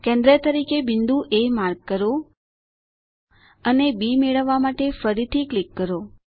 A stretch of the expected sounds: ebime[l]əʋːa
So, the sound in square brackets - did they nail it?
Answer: no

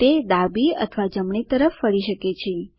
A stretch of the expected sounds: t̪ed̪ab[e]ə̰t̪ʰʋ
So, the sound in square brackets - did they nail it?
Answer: no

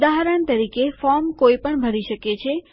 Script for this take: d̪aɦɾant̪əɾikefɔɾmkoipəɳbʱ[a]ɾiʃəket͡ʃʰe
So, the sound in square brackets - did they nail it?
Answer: no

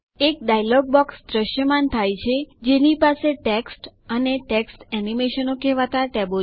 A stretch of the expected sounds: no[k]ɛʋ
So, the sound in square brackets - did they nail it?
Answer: yes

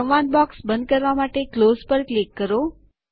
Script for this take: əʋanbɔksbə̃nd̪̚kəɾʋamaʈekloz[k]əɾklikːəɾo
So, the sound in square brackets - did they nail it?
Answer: no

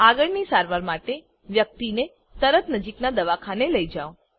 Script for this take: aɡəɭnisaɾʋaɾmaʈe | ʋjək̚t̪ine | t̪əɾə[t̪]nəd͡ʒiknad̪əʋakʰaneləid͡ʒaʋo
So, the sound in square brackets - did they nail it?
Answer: yes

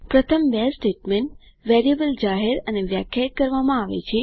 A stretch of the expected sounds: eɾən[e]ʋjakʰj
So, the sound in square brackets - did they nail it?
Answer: yes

